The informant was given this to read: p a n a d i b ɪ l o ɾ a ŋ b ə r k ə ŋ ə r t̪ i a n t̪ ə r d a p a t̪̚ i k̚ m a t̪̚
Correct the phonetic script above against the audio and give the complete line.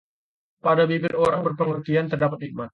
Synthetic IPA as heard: p a d a b i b ɪ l o ɾ a ŋ b ə r p ə ŋ ə r t̪ i a n t̪ ə r d a p a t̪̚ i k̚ m a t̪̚